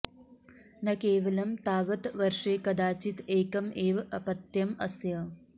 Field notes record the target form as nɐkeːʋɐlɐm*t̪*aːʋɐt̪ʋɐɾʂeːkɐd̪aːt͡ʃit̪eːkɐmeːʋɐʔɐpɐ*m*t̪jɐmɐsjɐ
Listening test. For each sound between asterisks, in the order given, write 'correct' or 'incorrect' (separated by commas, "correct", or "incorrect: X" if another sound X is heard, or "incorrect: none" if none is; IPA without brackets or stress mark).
correct, incorrect: none